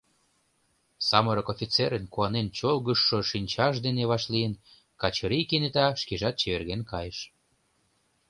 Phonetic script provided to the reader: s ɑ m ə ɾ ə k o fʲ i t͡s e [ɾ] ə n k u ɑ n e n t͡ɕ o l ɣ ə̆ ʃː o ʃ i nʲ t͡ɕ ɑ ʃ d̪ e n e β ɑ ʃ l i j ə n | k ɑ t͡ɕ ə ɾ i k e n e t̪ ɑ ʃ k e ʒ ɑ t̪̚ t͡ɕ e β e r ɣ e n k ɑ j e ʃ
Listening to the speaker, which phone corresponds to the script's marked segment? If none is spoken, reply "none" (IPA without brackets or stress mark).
ɾ